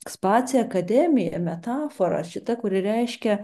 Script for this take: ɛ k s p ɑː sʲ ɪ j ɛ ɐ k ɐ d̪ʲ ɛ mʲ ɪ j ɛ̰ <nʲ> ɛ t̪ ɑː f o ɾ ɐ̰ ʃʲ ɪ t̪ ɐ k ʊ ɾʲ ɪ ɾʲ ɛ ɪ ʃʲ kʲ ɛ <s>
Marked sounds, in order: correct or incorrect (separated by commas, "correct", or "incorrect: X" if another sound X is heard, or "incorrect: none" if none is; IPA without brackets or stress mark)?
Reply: incorrect: mʲ, incorrect: none